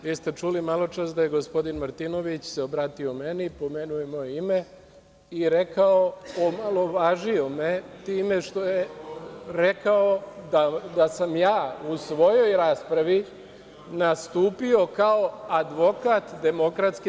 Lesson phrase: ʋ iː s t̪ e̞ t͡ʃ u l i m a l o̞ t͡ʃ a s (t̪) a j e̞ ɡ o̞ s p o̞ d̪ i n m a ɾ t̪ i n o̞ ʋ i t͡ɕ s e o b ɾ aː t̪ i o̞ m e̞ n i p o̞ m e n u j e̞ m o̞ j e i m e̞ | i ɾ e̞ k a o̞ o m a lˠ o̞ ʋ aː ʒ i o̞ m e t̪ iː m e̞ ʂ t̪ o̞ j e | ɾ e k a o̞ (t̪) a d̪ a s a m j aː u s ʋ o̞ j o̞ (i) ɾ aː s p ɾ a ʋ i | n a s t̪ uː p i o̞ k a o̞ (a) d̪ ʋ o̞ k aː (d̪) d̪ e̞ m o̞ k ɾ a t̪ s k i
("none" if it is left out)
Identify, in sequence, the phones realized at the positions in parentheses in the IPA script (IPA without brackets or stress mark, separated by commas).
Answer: d̪, d̪, j, a, t̪